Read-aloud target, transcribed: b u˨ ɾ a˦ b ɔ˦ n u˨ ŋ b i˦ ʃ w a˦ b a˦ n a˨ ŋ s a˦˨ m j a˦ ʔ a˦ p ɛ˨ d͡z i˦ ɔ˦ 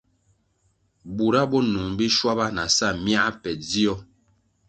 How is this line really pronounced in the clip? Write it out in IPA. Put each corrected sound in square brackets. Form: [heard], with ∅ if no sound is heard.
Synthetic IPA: b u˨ ɾ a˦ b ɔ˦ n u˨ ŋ b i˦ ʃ w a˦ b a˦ n a˨ [∅] s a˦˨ m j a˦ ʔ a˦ p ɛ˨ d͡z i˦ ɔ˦